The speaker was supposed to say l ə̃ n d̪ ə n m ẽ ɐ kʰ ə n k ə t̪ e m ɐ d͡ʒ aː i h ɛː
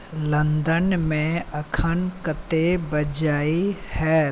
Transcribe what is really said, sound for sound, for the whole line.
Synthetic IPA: l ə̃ n d̪ ə n m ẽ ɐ kʰ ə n k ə t̪ e b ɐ d͡ʒ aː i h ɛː